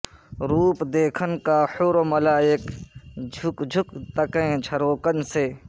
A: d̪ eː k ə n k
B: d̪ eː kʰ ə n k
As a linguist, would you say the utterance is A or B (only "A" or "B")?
B